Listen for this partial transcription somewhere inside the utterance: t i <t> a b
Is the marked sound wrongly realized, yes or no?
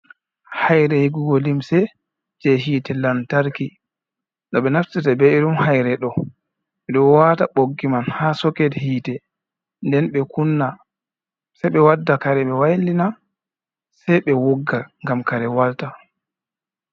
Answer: no